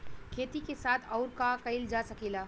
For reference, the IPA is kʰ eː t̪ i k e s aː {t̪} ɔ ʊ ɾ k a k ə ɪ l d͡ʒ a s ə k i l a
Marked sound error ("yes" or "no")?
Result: yes